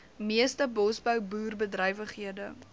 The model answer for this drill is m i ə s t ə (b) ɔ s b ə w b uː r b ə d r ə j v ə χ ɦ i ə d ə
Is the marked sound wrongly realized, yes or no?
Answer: no